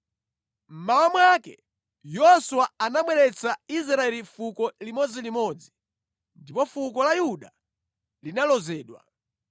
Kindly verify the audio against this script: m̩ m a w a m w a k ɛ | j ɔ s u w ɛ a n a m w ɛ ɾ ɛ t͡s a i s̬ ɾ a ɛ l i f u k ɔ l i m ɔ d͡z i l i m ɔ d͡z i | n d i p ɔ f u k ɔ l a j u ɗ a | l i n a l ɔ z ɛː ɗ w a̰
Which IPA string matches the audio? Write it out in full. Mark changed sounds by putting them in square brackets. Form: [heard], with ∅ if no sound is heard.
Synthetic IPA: m̩ m a w a m w a k ɛ | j ɔ s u w [a] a n a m w ɛ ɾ ɛ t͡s a i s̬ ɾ a ɛ l i f u k ɔ l i m ɔ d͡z i l i m ɔ d͡z i | n d i p ɔ f u k ɔ l a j u ɗ a | l i n a l ɔ z ɛː ɗ w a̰